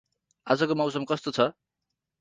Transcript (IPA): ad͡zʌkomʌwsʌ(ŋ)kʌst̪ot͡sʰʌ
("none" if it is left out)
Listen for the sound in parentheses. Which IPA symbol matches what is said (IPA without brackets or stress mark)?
m